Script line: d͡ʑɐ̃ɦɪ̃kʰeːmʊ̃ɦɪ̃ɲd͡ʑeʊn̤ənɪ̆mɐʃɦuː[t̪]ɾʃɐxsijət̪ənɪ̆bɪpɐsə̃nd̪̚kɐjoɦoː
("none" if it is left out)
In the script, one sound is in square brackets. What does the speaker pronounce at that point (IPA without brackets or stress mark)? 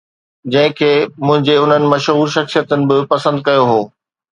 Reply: none